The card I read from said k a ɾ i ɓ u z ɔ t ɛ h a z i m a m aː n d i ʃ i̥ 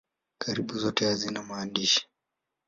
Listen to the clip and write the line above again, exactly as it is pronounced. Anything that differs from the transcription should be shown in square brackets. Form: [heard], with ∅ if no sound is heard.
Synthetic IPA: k a ɾ i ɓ u z ɔ t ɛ h a z i [n] a m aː n d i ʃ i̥